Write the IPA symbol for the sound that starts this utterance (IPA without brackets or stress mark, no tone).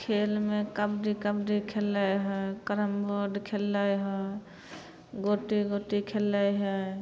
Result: kʰ